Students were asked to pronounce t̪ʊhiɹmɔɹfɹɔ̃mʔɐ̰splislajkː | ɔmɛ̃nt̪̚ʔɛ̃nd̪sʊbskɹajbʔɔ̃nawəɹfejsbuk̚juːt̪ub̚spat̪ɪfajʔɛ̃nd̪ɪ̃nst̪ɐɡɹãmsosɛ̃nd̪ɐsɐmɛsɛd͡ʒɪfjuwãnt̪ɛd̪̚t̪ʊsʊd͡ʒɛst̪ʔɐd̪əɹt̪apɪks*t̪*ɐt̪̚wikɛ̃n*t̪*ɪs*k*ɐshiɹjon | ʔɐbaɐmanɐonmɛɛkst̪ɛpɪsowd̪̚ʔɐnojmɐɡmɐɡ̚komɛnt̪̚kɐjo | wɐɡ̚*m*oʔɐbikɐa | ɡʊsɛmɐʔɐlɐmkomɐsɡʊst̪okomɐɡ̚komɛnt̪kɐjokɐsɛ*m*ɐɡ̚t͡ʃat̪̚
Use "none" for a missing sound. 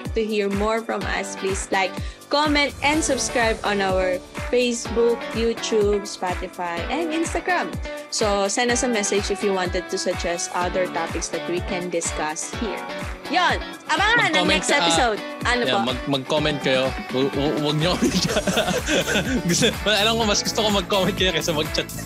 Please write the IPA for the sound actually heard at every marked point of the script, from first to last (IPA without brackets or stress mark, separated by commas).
d̪, d̪, k, ɲ, m